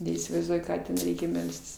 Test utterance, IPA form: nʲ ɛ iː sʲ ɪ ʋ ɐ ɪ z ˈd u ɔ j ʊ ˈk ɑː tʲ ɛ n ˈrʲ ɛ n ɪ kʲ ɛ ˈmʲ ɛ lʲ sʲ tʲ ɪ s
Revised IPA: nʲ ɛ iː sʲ ɪ ʋ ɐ ɪ z ˈd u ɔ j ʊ ˈk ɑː tʲ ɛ n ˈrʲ ɛ ɪ kʲ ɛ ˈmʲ ɛ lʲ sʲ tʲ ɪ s